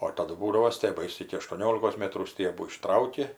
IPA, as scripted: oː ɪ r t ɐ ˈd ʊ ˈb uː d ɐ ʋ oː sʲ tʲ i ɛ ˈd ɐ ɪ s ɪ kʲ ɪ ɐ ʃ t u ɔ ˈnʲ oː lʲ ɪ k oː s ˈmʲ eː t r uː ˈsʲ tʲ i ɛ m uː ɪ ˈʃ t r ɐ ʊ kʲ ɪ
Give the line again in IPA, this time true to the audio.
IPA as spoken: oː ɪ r t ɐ ˈd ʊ ˈb uː d ɐ ʋ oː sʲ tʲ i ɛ ˈb ɐ ɪ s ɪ kʲ ɪ ɐ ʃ t u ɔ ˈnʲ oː lʲ ɪ k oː s ˈmʲ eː t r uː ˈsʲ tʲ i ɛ b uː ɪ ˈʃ t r ɐ ʊ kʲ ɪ

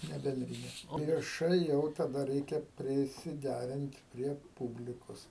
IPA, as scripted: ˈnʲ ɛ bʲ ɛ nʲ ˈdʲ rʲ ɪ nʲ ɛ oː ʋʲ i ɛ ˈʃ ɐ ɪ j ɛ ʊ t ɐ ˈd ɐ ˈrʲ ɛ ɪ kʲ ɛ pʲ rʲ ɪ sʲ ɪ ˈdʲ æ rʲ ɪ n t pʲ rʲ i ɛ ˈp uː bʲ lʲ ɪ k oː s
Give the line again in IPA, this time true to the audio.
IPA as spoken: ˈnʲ ɛ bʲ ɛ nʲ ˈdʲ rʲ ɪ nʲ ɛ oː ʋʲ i ɛ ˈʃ ɐ ɪ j ɛ ʊ t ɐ ˈd ɐ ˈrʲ ɛ ɪ kʲ ɛ pʲ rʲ ɪ sʲ ɪ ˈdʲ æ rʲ ɪ n t pʲ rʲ i ɛ ˈp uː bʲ lʲ ɪ k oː s

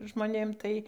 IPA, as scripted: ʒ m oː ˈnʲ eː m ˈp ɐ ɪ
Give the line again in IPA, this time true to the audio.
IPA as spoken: ʒ m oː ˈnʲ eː m ˈt ɐ ɪ

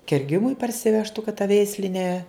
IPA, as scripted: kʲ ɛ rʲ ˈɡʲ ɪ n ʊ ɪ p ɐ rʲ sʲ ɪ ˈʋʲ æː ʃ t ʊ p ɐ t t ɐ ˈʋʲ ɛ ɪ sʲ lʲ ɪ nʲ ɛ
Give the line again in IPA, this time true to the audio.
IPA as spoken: kʲ ɛ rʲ ˈɡʲ ɪ m ʊ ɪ p ɐ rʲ sʲ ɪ ˈʋʲ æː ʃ t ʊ k ɐ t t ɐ ˈʋʲ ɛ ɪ sʲ lʲ ɪ nʲ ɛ

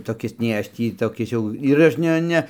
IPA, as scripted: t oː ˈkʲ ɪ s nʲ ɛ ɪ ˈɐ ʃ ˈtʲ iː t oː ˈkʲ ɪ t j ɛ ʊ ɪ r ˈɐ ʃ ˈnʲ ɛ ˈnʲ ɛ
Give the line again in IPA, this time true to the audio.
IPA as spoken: t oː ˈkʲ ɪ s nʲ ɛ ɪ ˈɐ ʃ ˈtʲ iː t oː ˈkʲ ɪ s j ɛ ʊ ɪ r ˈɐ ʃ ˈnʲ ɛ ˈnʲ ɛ

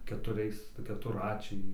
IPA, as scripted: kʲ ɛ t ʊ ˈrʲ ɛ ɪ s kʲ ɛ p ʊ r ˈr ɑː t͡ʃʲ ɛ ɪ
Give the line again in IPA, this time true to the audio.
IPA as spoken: kʲ ɛ t ʊ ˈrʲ ɛ ɪ s kʲ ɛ t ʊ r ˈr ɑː t͡ʃʲ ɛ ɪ

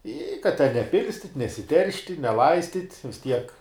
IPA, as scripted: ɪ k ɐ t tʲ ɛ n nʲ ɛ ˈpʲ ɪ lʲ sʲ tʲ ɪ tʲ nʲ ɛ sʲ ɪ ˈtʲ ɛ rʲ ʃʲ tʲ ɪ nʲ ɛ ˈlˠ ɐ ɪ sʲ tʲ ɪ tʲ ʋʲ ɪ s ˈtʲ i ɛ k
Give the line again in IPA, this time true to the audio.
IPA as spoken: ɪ k ɐ t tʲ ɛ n nʲ ɛ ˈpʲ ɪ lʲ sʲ tʲ ɪ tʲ nʲ ɛ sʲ ɪ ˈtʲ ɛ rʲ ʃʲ tʲ ɪ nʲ ɛ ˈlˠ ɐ ɪ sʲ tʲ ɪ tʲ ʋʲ ɪ s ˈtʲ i ɛ k

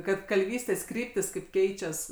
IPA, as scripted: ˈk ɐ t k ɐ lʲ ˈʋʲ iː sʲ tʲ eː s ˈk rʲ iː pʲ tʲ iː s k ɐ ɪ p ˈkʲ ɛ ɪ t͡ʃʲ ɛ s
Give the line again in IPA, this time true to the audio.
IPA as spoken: ˈk ɐ t k ɐ lʲ ˈʋʲ iː sʲ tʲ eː s ˈk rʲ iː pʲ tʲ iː s k ɐ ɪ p ˈkʲ ɛ ɪ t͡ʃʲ ɛ s

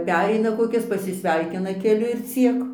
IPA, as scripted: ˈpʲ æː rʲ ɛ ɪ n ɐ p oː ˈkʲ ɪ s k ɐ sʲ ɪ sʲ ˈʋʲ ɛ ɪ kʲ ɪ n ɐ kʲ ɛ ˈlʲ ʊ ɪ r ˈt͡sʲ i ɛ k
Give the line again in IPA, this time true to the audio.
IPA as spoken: ˈpʲ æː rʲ ɛ ɪ n ɐ k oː ˈkʲ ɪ s p ɐ sʲ ɪ sʲ ˈʋʲ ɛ ɪ kʲ ɪ n ɐ kʲ ɛ ˈlʲ ʊ ɪ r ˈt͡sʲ i ɛ k

